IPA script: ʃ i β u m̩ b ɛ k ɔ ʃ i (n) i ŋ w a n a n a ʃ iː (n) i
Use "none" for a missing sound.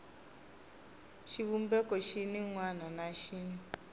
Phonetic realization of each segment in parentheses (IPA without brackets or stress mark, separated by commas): n, n